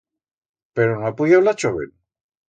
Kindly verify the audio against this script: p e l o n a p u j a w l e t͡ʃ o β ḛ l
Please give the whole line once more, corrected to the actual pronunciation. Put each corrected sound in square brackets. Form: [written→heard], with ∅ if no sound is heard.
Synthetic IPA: p e [l→ɾ] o n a p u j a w l [e→a] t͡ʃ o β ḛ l